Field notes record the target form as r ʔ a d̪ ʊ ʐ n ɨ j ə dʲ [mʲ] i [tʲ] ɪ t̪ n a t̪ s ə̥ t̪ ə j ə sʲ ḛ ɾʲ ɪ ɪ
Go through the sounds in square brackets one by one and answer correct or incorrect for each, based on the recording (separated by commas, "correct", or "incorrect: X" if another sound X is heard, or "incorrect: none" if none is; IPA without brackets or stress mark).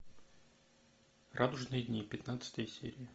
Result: incorrect: nʲ, incorrect: pʲ